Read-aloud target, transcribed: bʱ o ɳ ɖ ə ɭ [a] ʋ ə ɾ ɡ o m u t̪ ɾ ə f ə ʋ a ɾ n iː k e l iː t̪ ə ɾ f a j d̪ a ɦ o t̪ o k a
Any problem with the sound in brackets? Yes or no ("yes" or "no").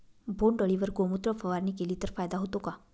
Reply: yes